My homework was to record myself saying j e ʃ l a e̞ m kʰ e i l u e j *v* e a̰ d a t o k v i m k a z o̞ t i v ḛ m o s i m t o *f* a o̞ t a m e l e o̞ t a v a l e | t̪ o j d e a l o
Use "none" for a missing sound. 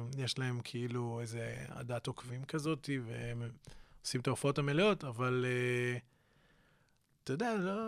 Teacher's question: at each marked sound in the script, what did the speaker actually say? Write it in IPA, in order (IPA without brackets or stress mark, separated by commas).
z, f